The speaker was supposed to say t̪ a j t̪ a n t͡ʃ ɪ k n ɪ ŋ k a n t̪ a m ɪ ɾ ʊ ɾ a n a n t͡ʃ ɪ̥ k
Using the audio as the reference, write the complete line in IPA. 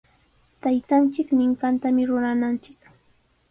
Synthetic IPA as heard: t̪ a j t̪ a n t͡ʃ ɪ k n ɪ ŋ k a n t̪ a m ɪ ɾ ʊ ɾ a n a n t͡ʃ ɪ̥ k